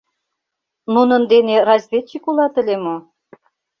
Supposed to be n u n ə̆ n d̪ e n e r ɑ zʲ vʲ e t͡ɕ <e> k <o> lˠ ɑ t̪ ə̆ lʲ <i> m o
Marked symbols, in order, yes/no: no, no, no

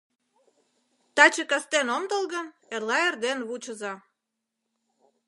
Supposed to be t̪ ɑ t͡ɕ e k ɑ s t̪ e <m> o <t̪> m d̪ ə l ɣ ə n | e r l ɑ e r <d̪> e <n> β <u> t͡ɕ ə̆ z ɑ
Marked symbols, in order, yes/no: no, no, yes, yes, yes

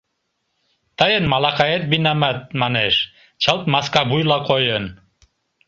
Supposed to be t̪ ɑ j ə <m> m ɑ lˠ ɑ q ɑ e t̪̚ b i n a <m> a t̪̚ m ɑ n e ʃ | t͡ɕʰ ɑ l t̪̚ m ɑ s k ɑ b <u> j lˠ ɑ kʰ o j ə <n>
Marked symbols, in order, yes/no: no, yes, yes, yes

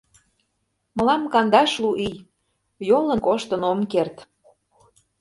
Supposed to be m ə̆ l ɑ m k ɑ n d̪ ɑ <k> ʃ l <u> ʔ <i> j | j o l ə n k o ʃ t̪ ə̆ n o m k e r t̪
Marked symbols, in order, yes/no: no, yes, yes

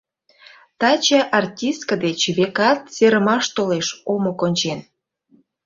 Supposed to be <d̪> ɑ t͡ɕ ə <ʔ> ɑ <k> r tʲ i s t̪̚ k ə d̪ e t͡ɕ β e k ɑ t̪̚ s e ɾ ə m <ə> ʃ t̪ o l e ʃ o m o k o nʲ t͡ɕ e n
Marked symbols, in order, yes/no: no, yes, no, no

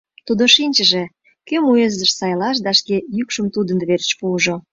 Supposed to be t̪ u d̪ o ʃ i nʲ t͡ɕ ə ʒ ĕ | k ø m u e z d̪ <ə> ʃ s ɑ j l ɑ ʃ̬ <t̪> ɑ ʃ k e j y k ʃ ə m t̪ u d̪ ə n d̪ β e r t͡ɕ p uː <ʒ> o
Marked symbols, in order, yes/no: yes, no, yes

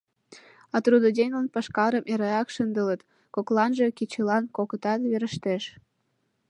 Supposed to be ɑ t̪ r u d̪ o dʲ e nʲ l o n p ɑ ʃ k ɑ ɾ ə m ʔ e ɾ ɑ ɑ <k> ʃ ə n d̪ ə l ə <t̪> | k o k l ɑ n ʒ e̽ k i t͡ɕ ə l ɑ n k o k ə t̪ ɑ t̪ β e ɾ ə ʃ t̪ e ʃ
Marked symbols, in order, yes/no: yes, yes

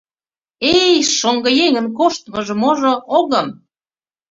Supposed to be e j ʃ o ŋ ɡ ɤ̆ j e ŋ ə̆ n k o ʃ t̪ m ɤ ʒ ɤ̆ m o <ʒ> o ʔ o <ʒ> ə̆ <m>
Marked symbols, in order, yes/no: yes, no, yes

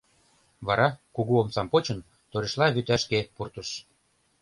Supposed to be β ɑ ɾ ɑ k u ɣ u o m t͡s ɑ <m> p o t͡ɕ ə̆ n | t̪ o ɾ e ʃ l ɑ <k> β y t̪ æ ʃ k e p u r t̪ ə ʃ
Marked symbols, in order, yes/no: yes, no

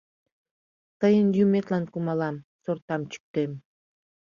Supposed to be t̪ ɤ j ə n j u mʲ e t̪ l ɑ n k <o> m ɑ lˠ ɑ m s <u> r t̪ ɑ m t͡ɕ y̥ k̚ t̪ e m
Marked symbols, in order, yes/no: no, no

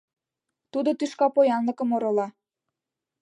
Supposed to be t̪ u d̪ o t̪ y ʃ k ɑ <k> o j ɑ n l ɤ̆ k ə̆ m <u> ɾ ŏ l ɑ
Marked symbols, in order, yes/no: no, no

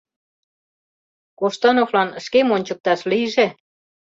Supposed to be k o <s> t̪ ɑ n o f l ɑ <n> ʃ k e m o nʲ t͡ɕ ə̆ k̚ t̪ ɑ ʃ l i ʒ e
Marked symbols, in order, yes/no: no, yes

